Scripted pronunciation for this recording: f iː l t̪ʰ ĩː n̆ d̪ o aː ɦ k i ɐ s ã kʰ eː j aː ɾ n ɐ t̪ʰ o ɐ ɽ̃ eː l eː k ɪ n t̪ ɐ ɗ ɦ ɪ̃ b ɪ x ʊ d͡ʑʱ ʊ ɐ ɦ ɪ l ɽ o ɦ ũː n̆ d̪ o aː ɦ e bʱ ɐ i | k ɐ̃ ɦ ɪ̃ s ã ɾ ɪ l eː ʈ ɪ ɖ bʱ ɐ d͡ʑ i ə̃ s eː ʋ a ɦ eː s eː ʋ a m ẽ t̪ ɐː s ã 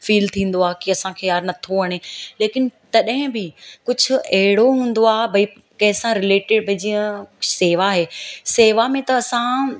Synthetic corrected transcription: f iː l t̪ʰ ĩː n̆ d̪ o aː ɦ k i ɐ s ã kʰ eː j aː ɾ n ɐ t̪ʰ o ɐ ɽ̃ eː l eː k ɪ n t̪ ɐ ɗ ɦ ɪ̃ b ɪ k ʊ d͡ʑʱ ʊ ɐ ɦ ɪ ɽ o ɦ ũː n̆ d̪ o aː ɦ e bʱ ɐ i | k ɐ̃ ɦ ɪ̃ s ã ɾ ɪ l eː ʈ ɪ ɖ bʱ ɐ d͡ʑ i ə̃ s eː ʋ a ɦ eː s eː ʋ a m ẽ t̪ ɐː s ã